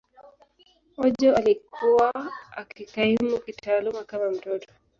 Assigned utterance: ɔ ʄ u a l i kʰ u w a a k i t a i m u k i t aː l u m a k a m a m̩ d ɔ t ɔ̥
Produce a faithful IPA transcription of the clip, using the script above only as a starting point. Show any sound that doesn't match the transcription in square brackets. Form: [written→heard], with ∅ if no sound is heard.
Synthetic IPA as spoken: ɔ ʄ [u→ɔ] a l i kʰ u w a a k i [t→k] a i m u k i t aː l u m a k a m a m̩ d ɔ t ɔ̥